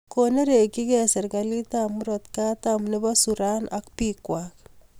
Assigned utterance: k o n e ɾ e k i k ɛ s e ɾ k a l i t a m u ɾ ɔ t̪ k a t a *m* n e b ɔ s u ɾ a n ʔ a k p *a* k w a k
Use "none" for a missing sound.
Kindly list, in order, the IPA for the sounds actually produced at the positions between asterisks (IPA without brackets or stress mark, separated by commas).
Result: m, i